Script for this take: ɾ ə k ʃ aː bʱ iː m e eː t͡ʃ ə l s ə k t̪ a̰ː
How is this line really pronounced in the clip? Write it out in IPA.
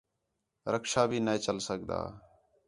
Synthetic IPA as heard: ɾ ə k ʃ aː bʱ iː n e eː t͡ʃ ə l s ə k d̪ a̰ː